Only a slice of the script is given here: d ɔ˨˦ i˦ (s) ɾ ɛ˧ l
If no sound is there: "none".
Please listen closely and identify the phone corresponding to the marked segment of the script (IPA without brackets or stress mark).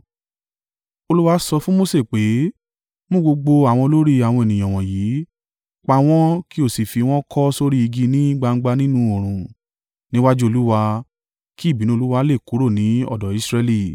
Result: s